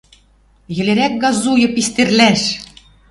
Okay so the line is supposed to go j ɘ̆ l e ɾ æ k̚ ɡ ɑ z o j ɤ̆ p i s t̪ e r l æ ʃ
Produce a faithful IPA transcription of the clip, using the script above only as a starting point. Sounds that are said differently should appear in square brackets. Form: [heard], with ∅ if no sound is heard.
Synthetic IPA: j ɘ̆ l e ɾ æ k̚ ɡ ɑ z [u] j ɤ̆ p i s t̪ e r l æ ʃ